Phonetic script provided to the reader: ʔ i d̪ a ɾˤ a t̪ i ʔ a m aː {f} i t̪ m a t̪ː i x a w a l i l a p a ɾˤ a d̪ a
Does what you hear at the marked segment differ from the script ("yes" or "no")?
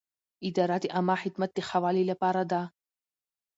yes